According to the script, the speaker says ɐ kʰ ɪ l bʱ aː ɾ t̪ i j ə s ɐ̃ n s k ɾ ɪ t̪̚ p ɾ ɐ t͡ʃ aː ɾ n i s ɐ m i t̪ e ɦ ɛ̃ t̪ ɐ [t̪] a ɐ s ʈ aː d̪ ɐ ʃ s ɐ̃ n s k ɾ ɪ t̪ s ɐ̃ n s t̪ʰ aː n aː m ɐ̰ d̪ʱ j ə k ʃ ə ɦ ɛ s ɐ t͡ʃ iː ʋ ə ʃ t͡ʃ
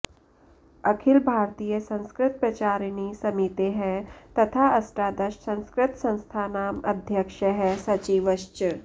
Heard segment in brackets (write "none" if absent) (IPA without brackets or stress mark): t̪ʰ